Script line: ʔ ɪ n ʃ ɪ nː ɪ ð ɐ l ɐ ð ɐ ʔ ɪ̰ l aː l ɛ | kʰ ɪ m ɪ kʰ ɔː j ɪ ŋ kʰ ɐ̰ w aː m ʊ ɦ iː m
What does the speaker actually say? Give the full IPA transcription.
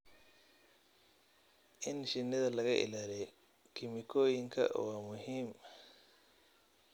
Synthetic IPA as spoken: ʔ ɪ n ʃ ɪ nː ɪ ð ɐ l ɐ ɣ ɐ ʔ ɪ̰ l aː l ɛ | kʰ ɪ m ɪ kʰ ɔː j ɪ ŋ kʰ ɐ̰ w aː m ʊ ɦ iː m